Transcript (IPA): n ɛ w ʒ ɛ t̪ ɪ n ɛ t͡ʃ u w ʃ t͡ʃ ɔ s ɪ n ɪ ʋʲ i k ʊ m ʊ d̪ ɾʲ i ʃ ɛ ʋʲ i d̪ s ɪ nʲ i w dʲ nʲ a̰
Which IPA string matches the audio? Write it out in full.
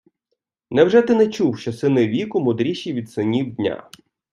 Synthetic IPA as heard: n ɛ w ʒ ɛ t̪ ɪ n ɛ t͡ʃ u w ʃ t͡ʃ ɔ s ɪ n ɪ ʋʲ i k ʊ m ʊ d̪ ɾʲ i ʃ i ʋʲ i d̪ s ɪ nʲ i w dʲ nʲ a̰